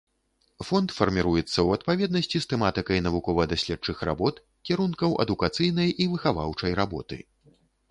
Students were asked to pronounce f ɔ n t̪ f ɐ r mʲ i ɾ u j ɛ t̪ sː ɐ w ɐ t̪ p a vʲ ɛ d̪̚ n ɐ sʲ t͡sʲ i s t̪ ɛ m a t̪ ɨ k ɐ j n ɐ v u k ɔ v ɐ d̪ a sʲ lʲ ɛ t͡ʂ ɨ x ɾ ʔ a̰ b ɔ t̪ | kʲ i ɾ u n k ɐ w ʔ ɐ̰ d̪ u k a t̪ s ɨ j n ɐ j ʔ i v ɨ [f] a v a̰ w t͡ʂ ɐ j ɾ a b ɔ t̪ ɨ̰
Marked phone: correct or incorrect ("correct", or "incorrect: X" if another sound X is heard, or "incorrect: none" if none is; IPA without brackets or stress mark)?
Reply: incorrect: x